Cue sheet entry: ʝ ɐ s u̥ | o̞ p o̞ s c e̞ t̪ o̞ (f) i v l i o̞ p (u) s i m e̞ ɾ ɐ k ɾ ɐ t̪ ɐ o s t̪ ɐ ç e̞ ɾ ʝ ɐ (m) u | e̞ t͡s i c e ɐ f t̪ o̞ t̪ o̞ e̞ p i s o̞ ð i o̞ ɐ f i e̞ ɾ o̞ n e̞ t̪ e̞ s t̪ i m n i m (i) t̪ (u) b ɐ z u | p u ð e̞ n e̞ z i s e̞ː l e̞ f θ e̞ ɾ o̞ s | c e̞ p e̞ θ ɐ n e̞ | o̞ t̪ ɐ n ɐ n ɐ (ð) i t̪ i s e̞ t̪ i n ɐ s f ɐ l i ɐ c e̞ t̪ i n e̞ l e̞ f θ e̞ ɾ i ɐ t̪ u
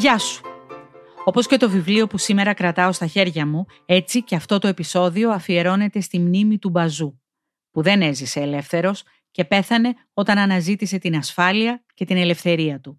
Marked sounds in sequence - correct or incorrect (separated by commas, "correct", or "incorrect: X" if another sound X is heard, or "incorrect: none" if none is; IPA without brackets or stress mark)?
incorrect: v, correct, correct, correct, correct, incorrect: z